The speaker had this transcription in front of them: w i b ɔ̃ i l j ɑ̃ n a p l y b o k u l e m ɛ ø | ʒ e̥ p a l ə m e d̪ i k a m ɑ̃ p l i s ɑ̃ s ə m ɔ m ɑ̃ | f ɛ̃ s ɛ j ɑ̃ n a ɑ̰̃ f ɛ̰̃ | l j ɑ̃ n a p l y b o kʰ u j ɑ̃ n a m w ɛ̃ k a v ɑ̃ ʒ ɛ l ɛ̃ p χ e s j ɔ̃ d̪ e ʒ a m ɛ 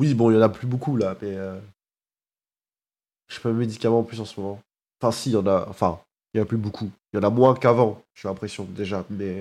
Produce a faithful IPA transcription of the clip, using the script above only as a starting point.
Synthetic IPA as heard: w i b ɔ̃ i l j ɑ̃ n a p l y b o k u l a m ɛ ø | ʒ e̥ p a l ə m e d̪ i k a m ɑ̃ p l y s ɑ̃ s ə m ɔ m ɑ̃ | f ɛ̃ s i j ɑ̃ n a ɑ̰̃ f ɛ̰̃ | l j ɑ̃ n a p l y b o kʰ u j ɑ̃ n a m w ɛ̃ k a v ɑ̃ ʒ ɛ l ɛ̃ p χ e s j ɔ̃ d̪ e ʒ a m ɛ